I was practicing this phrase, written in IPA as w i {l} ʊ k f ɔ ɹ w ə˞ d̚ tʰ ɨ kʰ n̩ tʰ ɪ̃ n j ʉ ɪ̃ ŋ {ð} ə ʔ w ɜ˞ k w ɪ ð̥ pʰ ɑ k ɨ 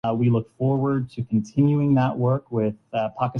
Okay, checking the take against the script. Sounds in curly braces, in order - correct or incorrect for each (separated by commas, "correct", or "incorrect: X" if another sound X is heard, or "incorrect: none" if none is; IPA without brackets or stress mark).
correct, correct